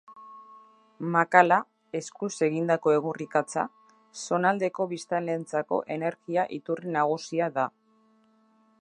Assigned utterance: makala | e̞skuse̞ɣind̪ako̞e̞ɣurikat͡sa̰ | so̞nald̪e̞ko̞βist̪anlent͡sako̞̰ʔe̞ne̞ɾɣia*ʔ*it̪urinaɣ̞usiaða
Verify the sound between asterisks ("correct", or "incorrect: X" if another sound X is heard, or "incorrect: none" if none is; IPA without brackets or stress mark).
correct